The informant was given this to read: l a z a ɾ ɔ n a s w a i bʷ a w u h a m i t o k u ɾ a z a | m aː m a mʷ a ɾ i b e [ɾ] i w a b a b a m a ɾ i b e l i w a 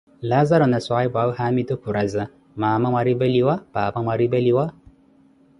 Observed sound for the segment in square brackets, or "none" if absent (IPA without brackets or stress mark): l